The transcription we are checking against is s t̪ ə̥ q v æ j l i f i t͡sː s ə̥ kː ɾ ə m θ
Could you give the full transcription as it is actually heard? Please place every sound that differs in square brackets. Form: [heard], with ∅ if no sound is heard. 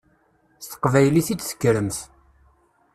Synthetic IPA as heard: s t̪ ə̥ q v æ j l i [θ] i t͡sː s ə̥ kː ɾ ə m θ